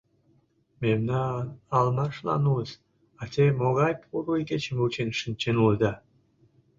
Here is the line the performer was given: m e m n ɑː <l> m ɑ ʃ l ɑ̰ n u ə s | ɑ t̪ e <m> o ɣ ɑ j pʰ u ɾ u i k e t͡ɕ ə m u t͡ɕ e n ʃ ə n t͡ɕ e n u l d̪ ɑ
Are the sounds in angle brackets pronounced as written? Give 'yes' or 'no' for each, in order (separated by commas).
yes, yes